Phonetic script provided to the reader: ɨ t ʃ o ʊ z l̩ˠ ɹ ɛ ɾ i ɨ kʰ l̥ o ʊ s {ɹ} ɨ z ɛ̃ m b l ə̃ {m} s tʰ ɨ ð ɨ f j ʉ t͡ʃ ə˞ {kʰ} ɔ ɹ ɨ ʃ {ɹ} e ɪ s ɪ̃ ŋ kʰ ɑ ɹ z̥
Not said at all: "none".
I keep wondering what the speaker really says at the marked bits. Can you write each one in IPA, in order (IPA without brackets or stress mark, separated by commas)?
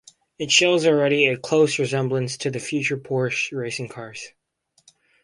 ɹ, n, pʰ, ɹ